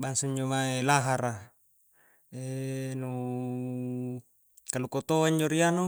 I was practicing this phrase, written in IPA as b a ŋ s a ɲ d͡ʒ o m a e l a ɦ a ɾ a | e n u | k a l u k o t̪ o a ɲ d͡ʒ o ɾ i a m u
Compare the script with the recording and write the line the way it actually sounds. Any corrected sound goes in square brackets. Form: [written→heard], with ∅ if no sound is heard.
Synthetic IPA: b a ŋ s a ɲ d͡ʒ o m a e l a ɦ a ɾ a | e n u | k a l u k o t̪ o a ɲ d͡ʒ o ɾ i a [m→n] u